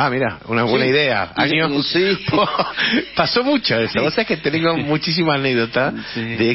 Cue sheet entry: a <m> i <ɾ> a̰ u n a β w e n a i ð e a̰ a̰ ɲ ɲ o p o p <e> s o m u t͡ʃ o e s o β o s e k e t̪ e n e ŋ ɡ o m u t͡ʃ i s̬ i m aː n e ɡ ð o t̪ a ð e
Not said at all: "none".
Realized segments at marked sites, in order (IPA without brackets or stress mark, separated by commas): m, ɾ, a